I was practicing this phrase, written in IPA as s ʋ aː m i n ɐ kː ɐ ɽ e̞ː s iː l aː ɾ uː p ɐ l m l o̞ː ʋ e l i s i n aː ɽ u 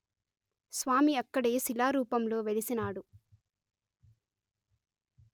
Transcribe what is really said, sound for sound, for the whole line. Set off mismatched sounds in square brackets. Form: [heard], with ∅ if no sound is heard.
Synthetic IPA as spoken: s ʋ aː m i [∅] ɐ kː ɐ ɽ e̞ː s [i] l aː ɾ uː p ɐ [∅] m l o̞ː ʋ e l i s i n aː ɽ u